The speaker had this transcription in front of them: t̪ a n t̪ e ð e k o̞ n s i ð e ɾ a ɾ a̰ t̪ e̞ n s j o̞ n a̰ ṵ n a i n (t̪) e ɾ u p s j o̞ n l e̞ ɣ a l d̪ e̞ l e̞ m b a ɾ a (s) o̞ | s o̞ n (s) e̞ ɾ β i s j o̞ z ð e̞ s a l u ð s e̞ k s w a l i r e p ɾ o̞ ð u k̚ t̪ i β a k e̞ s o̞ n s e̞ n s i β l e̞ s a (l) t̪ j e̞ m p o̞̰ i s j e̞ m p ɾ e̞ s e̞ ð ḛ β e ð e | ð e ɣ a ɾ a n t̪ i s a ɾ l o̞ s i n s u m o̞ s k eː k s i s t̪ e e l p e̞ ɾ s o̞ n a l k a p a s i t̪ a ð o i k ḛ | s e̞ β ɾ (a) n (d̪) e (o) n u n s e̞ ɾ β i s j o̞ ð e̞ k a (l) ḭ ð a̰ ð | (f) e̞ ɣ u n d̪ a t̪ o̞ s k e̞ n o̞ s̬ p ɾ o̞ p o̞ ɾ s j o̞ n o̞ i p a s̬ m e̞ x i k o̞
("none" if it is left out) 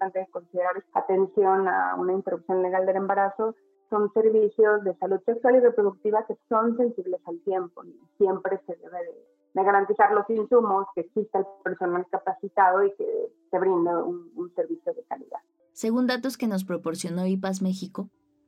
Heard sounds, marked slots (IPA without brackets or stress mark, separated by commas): t̪, s, s, l, i, d̪, u, l, s